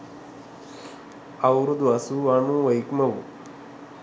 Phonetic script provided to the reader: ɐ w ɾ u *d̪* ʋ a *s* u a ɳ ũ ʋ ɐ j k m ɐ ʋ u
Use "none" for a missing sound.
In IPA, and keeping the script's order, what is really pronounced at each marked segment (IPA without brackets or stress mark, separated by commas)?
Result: d̪, s